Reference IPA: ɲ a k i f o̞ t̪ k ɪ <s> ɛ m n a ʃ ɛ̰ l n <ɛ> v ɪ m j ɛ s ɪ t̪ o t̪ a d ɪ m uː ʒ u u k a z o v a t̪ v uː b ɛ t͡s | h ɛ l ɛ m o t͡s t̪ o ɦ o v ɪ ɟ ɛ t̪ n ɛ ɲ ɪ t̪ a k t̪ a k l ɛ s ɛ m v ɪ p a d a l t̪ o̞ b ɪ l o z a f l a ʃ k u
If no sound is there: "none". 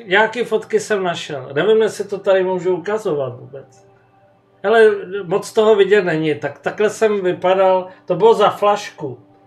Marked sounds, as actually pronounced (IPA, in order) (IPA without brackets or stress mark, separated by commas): s, ɛ